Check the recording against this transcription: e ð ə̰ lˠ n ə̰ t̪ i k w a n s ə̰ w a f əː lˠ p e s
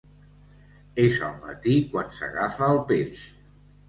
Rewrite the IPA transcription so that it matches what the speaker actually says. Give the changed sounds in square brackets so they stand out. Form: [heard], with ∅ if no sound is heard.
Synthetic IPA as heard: e [z] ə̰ lˠ [m] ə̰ t̪ i k w a n s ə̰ [ɣ] a f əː lˠ p e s

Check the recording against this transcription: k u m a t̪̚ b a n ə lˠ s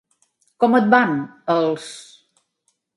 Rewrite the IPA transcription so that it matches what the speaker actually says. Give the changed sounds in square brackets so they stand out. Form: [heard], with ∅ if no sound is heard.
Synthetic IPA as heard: k [ɔ] m [ə] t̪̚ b a n ə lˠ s

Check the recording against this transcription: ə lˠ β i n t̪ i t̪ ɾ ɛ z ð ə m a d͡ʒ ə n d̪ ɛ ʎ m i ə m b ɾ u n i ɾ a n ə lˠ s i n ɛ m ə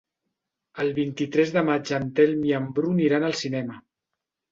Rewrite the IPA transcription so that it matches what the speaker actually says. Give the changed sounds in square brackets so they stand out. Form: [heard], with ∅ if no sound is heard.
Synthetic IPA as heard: ə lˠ β i n t̪ i t̪ ɾ ɛ z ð ə m a d͡ʒ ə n [t̪] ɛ [l] m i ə m b ɾ u n i ɾ a n ə lˠ s i n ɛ m ə

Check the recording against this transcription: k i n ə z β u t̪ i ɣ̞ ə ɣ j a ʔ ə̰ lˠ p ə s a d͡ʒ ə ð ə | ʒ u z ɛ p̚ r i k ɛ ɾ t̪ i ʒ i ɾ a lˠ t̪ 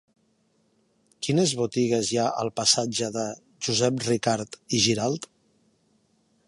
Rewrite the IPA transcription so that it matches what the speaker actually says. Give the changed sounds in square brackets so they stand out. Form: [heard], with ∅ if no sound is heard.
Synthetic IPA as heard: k i n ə z β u t̪ i ɣ̞ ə [z] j a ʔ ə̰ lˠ p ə s a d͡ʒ ə ð ə | ʒ u z ɛ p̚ r i k [a] ɾ t̪ i ʒ i ɾ a lˠ t̪

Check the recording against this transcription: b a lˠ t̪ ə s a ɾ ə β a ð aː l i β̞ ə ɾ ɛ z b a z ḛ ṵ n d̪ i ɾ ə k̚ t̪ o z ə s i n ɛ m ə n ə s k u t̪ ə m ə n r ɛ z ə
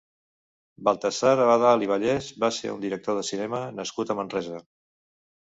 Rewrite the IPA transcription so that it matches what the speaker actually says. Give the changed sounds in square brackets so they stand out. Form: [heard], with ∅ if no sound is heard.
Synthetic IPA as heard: b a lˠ t̪ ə s a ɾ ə β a ð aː l i β̞ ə [ʎ] ɛ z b a [s] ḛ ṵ n d̪ i ɾ ə k̚ t̪ o [ð] ə s i n ɛ m ə n ə s k u t̪ ə m ə n r ɛ z ə

